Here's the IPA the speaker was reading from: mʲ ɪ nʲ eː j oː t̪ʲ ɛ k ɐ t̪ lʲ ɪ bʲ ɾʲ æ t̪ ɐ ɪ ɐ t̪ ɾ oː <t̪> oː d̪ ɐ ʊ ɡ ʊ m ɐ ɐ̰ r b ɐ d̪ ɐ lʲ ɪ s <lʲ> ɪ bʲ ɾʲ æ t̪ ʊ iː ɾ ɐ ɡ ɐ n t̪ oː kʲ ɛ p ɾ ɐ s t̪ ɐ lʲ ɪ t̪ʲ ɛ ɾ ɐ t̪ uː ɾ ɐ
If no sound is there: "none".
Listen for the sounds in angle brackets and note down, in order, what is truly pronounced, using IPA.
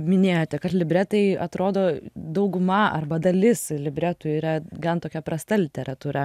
d̪, lʲ

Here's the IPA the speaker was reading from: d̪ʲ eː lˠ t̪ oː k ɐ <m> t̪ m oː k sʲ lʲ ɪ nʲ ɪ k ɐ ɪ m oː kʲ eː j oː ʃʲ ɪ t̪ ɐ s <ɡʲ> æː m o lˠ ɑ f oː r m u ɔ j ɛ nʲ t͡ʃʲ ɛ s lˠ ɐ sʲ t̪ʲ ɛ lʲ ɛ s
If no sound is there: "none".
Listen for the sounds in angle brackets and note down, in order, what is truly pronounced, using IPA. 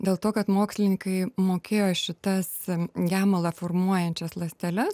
none, ɡʲ

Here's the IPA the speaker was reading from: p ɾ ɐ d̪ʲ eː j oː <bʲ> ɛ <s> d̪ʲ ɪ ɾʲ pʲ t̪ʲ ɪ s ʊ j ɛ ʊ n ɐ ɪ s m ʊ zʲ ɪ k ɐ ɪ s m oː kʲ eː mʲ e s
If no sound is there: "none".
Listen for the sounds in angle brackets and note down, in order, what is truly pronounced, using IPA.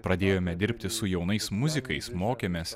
mʲ, none

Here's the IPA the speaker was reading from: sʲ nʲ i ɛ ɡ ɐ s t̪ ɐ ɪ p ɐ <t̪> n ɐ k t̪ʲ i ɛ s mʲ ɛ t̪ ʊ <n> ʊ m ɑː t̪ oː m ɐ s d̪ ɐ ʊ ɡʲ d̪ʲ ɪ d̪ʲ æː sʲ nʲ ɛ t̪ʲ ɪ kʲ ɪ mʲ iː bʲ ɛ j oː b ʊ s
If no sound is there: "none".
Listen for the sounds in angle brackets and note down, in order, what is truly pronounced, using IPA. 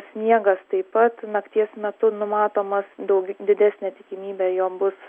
t̪, n

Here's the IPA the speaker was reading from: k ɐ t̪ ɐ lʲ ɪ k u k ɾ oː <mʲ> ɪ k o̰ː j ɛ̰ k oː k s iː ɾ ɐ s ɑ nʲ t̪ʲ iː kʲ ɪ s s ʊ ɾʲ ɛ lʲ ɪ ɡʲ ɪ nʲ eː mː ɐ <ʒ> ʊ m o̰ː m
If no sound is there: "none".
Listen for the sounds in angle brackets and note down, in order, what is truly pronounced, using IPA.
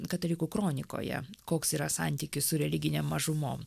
nʲ, ʒ

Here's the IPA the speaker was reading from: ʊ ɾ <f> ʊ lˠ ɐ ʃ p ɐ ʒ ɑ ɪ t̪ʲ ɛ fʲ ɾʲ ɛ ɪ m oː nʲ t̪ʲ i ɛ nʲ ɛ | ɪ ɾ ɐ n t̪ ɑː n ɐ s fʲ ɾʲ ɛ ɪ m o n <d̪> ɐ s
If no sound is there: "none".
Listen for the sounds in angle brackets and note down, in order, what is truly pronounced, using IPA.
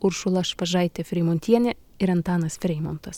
ʃ, t̪

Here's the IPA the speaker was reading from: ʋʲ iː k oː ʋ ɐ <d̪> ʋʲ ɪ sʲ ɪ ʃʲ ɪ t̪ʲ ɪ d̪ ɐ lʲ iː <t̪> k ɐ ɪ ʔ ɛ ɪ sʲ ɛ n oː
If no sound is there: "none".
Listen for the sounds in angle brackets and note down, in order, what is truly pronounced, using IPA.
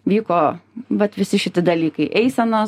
t̪, none

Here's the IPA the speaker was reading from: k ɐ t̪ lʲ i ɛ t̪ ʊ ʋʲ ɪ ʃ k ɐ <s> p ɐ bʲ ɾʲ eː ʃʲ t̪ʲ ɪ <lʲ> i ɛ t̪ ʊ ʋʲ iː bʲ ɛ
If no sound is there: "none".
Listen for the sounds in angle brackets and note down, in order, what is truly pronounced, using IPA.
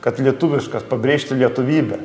s, lʲ

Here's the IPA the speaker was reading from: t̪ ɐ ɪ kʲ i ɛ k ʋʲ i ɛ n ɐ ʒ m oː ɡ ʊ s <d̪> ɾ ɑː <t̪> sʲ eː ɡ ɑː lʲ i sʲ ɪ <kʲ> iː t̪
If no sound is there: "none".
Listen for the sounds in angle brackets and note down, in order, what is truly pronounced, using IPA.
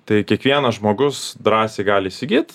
d̪, none, ɡʲ

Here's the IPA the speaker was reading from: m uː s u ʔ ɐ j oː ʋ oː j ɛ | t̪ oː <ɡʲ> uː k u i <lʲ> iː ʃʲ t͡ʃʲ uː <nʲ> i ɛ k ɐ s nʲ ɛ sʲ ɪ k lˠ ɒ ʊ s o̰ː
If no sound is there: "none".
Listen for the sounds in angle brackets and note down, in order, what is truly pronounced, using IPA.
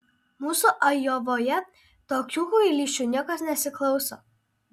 kʲ, lʲ, nʲ

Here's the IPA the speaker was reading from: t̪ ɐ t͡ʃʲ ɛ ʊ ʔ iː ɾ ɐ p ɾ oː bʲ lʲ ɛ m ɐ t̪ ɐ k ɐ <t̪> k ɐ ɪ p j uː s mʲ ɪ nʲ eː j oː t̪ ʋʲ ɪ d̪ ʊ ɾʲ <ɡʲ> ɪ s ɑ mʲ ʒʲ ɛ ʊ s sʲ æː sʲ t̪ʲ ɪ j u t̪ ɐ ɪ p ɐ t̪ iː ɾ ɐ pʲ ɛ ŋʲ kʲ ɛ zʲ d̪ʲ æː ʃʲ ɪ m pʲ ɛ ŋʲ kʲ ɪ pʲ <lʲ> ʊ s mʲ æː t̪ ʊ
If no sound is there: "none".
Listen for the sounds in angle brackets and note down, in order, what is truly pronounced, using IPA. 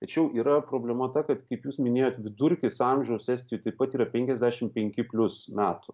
t̪, kʲ, lʲ

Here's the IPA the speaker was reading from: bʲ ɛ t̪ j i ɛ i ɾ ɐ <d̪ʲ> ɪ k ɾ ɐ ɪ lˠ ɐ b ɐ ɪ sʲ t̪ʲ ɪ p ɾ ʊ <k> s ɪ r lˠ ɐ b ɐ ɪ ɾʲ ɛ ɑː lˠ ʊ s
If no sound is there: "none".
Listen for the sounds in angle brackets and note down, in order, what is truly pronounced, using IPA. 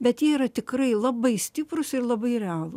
t̪ʲ, none

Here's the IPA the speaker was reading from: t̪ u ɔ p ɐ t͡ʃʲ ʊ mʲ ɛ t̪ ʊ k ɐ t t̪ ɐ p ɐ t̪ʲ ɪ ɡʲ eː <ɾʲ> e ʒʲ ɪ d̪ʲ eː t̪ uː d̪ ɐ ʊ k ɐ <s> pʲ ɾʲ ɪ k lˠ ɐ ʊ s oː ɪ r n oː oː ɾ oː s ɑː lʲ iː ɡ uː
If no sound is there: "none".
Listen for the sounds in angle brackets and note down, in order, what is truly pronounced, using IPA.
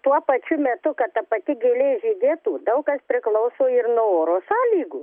lʲ, s

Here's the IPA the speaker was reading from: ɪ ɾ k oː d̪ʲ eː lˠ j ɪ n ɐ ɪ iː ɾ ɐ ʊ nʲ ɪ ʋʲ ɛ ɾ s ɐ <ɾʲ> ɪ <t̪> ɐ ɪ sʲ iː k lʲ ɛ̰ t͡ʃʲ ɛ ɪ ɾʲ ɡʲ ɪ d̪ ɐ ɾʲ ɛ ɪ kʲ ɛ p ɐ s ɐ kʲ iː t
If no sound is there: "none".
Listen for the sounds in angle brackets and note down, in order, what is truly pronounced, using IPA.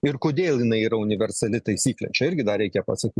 lʲ, t̪

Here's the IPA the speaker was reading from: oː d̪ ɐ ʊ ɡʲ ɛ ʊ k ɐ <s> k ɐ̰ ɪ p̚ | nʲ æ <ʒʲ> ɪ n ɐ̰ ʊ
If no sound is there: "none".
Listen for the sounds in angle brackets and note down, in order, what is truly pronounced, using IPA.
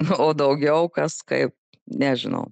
s, ʒʲ

